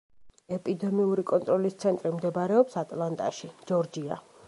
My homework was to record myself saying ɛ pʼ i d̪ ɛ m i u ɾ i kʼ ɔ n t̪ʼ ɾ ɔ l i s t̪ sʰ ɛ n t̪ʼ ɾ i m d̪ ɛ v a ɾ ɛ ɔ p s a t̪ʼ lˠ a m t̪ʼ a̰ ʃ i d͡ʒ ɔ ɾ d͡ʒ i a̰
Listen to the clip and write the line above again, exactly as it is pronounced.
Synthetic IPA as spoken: ɛ pʼ i d̪ ɛ m i u ɾ i kʼ ɔ n t̪ʼ ɾ ɔ l i s t̪ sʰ ɛ n t̪ʼ ɾ i m d̪ ɛ b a ɾ ɛ ɔ p s a t̪ʼ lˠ a n t̪ʼ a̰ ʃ i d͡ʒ ɔ ɾ d͡ʒ i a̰